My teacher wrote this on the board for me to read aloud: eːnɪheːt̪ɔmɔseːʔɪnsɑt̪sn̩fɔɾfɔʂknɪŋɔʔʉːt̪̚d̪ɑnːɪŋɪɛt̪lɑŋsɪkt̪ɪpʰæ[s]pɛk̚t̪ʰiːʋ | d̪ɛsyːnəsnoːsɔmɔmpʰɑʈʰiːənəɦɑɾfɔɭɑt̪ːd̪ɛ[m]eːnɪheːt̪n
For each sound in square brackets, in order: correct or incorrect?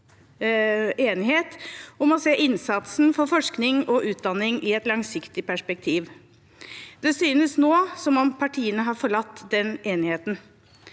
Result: incorrect: ʂ, incorrect: n

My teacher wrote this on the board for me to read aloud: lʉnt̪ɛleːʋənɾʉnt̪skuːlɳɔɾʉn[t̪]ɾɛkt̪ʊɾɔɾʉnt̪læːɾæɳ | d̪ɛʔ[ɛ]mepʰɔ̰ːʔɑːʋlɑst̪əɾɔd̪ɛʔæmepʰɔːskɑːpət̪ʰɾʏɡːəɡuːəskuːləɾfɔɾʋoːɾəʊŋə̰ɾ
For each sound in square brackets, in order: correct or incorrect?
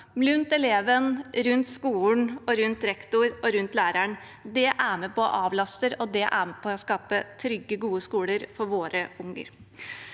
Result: correct, incorrect: æ

